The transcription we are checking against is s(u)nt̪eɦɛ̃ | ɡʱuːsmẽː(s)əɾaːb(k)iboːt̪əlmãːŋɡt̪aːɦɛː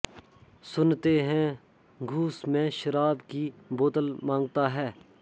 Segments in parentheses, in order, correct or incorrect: incorrect: ʊ, incorrect: ʃ, correct

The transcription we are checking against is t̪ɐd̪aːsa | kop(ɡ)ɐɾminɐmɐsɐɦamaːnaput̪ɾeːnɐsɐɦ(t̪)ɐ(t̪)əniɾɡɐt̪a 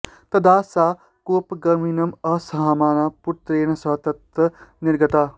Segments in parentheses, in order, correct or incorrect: correct, correct, correct

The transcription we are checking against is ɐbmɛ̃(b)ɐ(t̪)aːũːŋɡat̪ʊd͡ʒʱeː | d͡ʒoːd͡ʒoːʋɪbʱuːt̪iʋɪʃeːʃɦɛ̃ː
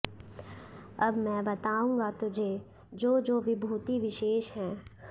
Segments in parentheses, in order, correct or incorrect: correct, correct

